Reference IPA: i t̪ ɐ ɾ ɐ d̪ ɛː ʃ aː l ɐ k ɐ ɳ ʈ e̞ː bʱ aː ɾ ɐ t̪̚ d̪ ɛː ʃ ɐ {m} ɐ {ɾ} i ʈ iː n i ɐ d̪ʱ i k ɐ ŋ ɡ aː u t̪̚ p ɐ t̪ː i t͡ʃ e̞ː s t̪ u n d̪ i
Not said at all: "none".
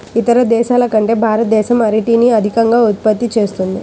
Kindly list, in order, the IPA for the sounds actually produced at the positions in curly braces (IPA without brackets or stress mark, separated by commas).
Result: m, ɾ